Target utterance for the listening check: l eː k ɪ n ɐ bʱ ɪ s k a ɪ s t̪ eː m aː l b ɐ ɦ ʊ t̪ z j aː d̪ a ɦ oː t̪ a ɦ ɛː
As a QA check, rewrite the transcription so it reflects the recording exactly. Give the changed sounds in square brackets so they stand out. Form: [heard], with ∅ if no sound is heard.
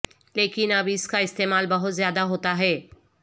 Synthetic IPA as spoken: l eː k ɪ n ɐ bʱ ɪ s k a ɪ s t̪ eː m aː l b ɐ ɦ ʊ t̪ z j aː d̪ a ɦ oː t̪ a ɦ ɛː

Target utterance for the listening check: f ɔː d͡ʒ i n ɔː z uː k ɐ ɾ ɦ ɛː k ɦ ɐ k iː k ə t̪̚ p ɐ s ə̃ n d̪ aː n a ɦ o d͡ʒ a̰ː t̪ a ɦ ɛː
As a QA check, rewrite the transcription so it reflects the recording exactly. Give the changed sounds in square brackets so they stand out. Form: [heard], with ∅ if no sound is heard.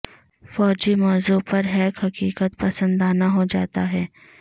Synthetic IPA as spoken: f ɔː d͡ʒ i [m] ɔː z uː [p] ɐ ɾ ɦ ɛː k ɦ ɐ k iː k ə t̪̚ p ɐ s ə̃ n d̪ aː n a ɦ o d͡ʒ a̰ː t̪ a ɦ ɛː

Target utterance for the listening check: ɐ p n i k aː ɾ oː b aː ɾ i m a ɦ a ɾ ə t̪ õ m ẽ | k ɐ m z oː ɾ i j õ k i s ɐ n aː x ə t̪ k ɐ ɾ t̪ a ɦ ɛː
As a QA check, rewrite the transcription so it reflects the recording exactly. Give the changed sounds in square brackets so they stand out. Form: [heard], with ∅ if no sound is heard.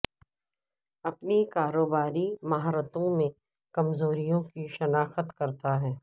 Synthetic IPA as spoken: ɐ p n i k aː ɾ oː b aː ɾ i m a ɦ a ɾ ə t̪ õ m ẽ | k ɐ m z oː ɾ i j õ k i [ʃ] ɐ n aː x ə t̪ k ɐ ɾ t̪ a ɦ ɛː

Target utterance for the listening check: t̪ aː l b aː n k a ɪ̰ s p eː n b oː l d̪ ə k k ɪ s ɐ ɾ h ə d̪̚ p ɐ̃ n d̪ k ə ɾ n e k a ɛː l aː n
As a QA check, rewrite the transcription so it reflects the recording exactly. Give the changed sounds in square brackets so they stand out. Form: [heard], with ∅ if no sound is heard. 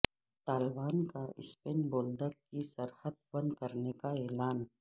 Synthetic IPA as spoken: t̪ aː l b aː n k a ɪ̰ s p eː n b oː l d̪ ə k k [i] s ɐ ɾ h ə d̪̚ [b] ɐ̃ n d̪ k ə ɾ n e k a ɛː l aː n

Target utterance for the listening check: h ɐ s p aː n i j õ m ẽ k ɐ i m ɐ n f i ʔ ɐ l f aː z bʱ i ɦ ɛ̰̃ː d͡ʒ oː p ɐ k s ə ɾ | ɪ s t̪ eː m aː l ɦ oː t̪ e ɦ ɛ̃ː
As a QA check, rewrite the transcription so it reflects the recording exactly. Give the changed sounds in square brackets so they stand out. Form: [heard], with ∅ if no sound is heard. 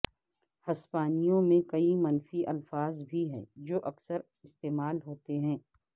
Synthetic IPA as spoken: h ɐ s p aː n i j õ m ẽ k ɐ i m ɐ n f i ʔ ɐ l f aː z bʱ i ɦ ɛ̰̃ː d͡ʒ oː [ʔ] ɐ k s ə ɾ | ɪ s t̪ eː m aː l ɦ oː t̪ e ɦ ɛ̃ː

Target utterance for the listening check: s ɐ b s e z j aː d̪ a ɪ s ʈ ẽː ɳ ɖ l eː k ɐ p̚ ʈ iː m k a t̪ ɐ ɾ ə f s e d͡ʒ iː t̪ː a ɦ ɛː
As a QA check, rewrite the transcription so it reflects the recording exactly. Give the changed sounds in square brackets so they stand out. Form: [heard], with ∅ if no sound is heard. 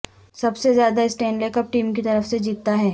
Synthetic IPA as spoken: s ɐ b s e z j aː d̪ a ɪ s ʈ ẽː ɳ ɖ l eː k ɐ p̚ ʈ iː m k [i] t̪ ɐ ɾ ə f s e d͡ʒ iː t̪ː a ɦ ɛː

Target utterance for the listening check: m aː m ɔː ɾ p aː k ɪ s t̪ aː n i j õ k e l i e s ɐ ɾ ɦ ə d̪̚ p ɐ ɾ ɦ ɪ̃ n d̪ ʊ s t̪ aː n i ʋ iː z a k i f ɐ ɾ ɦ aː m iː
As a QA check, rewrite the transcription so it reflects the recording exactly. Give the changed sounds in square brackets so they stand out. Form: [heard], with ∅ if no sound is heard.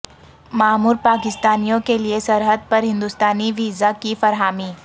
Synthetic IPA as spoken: m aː m [uː] ɾ p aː k ɪ s t̪ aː n i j õ k e l i e s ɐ ɾ ɦ ə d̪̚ p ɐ ɾ ɦ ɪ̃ n d̪ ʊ s t̪ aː n i ʋ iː z a k i f ɐ ɾ ɦ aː m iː

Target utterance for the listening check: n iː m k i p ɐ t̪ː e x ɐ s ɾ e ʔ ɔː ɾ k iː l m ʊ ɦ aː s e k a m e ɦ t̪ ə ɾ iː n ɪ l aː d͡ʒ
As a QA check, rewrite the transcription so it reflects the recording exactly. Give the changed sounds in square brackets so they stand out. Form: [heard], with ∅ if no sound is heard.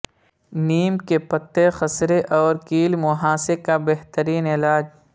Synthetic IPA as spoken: n iː m k [e] p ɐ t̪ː e x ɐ s ɾ e ʔ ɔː ɾ k iː l m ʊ ɦ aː s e k a [b] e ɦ t̪ ə ɾ iː n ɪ l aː d͡ʒ

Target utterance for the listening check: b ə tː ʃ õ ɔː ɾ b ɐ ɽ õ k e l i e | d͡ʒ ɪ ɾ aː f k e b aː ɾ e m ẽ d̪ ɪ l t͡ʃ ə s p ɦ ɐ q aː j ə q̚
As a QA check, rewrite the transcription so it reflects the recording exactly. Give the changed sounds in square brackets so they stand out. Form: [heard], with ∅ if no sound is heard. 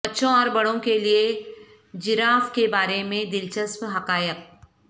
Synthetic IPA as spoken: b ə tː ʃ õ ɔː ɾ b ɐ ɽ õ k e l i e | d͡ʒ ɪ ɾ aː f k e b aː ɾ e m ẽ d̪ ɪ l t͡ʃ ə s p ɦ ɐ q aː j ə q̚

